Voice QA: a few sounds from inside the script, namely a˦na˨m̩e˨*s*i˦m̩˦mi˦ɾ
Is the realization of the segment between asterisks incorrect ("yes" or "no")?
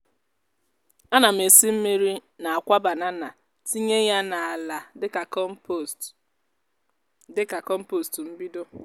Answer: no